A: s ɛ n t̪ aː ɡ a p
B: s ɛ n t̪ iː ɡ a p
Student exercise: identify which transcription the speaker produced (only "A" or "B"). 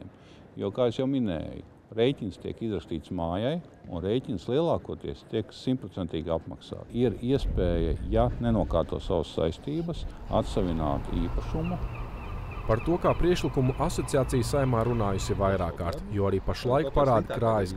B